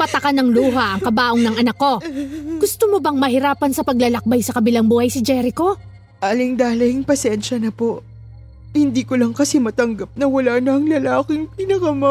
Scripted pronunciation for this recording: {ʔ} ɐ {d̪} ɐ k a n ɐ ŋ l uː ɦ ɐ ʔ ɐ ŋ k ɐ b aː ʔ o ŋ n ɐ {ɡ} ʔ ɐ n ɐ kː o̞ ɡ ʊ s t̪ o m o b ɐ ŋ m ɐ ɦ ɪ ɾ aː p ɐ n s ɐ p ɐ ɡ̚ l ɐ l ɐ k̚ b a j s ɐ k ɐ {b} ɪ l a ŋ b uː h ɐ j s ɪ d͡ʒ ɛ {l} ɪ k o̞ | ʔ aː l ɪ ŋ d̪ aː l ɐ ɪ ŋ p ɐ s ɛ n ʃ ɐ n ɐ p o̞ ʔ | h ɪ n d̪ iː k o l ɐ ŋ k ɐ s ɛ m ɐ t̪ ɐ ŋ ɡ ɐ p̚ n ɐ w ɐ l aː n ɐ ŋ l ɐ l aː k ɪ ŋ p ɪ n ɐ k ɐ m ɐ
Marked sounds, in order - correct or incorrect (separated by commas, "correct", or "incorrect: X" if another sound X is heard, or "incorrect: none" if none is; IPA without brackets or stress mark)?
incorrect: p, incorrect: t̪, incorrect: ŋ, correct, incorrect: ɾ